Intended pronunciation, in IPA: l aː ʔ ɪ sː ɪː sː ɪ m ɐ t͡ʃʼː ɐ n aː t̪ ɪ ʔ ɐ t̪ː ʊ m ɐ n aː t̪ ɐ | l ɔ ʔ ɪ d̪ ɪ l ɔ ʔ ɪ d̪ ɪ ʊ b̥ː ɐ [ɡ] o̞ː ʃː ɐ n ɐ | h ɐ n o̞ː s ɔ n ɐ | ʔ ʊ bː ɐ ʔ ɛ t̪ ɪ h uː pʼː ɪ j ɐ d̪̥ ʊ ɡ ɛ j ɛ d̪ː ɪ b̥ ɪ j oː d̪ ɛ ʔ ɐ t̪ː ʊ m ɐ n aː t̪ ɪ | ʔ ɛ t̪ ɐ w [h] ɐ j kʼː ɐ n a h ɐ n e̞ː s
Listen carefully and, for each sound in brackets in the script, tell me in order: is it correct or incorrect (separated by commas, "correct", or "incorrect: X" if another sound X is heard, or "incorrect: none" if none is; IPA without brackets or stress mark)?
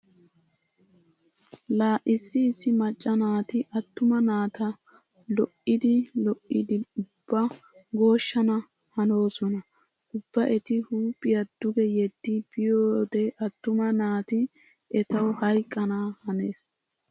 correct, correct